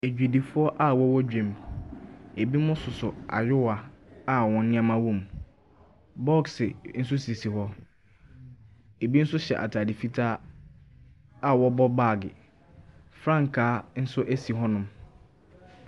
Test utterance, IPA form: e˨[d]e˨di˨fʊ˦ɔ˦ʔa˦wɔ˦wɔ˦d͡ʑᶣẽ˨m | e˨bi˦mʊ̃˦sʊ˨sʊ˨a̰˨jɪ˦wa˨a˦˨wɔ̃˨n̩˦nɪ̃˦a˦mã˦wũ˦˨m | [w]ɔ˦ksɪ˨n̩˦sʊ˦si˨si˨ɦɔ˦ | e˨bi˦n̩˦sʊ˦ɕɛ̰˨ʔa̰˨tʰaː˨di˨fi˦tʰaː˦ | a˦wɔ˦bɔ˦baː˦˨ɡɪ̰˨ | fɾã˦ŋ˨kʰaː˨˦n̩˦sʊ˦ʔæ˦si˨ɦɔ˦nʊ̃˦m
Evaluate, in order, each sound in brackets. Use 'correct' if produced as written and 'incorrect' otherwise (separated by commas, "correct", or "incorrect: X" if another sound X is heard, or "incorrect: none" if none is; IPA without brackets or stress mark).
incorrect: d͡ʑᶣ, incorrect: b